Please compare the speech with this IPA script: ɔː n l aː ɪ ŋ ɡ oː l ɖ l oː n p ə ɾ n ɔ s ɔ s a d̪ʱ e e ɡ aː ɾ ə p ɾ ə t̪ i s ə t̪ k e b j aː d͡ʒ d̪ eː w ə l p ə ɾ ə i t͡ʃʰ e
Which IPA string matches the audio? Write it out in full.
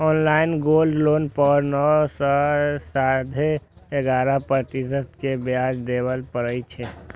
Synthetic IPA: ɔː n l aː ɪ n ɡ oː l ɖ l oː n p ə ɾ n ɔ s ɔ s a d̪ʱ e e ɡ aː ɾ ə p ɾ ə t̪ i s ə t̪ k e b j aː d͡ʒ d̪ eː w ə l p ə ɾ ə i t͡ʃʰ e